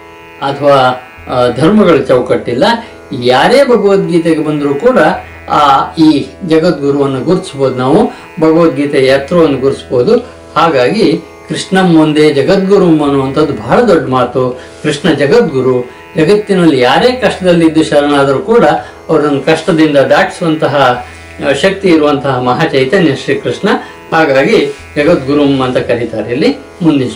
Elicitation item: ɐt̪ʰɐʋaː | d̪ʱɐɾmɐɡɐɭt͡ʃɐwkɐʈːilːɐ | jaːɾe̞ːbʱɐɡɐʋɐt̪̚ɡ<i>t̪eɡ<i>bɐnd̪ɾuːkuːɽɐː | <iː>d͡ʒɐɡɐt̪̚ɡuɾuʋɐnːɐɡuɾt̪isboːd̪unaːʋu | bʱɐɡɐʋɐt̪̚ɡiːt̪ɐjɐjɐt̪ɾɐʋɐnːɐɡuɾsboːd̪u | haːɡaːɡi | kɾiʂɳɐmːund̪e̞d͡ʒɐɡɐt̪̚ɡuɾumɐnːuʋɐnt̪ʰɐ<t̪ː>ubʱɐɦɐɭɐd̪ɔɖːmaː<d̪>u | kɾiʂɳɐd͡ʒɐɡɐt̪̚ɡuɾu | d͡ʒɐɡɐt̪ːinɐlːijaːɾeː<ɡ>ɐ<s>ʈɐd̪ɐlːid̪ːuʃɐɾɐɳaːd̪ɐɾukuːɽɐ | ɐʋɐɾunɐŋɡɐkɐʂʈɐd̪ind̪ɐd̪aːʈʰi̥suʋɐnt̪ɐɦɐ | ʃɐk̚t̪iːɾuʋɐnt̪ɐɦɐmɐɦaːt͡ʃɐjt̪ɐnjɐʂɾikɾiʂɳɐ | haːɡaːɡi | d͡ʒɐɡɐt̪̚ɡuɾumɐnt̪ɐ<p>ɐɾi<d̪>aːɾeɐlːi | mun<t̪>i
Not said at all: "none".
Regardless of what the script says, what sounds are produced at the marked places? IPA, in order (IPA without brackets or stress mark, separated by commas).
iː, e, iː, d̪ː, t̪, k, ʂ, k, t̪, d̪